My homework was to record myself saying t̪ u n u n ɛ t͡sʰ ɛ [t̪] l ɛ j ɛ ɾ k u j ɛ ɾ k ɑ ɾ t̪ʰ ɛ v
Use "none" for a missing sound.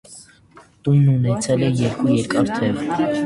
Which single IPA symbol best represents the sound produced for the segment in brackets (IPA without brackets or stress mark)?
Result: none